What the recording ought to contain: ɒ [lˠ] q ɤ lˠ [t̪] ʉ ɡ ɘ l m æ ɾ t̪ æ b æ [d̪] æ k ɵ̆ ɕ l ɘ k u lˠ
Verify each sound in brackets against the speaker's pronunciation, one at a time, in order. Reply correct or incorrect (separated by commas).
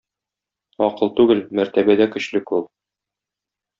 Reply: incorrect, correct, correct